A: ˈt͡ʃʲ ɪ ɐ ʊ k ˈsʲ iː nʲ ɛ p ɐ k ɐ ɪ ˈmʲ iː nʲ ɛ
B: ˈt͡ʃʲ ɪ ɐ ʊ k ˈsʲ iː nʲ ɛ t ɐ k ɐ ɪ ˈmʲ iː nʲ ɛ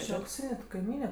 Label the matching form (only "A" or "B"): B